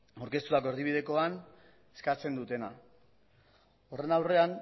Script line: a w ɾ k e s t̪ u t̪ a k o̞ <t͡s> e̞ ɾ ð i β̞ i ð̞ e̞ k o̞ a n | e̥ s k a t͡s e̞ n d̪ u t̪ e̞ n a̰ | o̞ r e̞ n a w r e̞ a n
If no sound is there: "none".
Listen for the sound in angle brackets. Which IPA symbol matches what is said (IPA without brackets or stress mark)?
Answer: none